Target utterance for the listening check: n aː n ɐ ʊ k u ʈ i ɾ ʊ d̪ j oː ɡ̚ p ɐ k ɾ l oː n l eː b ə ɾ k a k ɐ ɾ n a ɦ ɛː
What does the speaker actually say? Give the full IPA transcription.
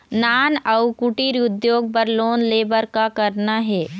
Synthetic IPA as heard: n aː n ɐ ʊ k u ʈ i ɾ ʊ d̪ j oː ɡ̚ p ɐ ɾ l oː n l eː b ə ɾ k a k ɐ ɾ n a ɦ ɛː